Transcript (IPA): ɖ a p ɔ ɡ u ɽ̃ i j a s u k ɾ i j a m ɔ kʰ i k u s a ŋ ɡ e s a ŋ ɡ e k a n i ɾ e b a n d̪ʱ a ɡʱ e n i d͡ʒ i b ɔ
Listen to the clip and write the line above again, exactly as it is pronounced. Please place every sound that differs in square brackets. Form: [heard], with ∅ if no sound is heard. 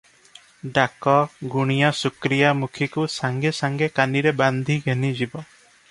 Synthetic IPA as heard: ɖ a [k] ɔ ɡ u ɽ̃ i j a s u k ɾ i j a m [u] kʰ i k u s a ŋ ɡ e s a ŋ ɡ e k a n i ɾ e b a n d̪ʱ [i] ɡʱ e n i d͡ʒ i b ɔ